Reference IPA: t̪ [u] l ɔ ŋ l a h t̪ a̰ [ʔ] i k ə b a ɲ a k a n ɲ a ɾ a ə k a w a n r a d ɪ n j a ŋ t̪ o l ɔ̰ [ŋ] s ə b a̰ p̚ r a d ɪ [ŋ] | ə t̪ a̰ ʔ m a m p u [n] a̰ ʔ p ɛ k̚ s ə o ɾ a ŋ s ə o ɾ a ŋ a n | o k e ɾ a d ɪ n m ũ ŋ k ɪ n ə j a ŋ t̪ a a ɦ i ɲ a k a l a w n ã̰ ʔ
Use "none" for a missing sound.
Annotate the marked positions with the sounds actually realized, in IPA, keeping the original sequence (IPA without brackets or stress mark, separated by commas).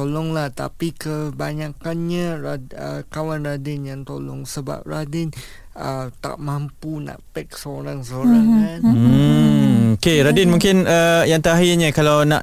o, p, ŋ, n, n